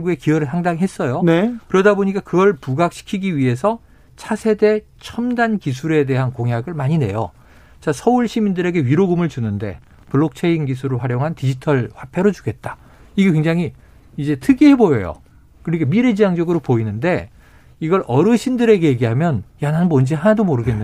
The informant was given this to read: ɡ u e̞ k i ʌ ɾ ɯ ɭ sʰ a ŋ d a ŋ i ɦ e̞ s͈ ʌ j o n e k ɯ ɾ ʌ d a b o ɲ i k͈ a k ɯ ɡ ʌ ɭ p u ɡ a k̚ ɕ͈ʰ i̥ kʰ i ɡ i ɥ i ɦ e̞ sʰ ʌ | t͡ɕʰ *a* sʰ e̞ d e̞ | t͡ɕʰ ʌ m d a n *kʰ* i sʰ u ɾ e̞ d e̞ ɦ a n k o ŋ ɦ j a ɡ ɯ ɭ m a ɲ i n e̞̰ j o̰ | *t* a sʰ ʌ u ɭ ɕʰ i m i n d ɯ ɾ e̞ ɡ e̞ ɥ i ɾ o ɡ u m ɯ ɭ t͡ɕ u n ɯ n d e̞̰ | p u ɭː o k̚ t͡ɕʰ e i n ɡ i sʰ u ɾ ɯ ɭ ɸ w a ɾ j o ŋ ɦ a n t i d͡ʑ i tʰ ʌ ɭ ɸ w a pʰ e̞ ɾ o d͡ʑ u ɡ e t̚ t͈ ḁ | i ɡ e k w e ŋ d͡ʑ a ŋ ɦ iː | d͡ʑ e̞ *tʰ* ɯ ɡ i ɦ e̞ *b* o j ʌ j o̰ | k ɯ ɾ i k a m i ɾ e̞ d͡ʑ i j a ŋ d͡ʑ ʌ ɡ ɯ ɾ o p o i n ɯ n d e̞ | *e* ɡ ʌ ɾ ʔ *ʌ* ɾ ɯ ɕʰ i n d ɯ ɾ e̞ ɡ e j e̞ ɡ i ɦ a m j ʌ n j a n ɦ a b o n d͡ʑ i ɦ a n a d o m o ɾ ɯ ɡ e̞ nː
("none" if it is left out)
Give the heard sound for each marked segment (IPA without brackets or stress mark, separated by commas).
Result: a, k, t͡ɕ, tʰ, b, i, ʌ